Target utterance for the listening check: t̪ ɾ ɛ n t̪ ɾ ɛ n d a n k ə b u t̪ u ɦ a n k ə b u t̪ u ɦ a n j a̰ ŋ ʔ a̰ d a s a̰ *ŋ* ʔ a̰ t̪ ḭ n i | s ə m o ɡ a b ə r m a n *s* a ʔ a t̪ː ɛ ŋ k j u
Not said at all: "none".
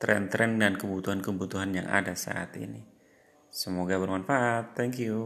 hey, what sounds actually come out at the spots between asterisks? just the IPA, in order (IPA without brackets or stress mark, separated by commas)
none, f